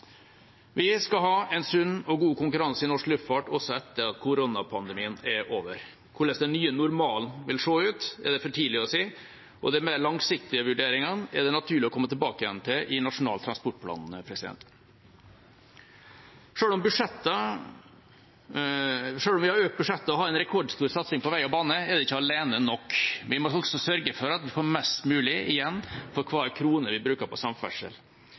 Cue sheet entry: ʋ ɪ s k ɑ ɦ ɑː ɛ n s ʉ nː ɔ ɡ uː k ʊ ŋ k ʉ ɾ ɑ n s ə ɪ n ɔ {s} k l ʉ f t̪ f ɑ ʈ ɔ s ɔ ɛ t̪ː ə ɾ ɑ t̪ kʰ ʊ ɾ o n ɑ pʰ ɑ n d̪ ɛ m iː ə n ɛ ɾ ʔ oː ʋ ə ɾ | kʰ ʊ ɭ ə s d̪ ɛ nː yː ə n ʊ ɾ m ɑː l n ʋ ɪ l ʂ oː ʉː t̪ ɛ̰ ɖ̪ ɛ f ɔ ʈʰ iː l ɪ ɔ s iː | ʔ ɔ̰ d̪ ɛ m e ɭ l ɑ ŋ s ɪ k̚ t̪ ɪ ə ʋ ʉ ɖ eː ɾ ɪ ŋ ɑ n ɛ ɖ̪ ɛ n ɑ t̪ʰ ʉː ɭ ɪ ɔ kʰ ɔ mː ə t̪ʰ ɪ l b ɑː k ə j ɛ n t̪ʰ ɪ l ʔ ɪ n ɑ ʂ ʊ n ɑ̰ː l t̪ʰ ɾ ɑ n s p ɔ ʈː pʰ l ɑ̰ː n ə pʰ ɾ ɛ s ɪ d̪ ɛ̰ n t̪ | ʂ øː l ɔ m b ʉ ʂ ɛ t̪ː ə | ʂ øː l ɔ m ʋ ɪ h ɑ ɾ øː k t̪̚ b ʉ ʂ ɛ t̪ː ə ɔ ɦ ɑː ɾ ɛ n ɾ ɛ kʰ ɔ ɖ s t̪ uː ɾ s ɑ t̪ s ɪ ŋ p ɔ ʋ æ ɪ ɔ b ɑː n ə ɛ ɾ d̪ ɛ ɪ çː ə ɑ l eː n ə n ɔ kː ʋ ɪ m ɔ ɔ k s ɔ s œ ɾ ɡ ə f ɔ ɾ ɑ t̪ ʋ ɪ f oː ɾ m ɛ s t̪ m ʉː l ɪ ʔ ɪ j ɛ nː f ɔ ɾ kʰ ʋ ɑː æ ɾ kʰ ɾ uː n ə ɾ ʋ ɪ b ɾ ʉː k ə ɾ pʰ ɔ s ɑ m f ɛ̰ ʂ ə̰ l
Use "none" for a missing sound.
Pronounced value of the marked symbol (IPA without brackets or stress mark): ʂ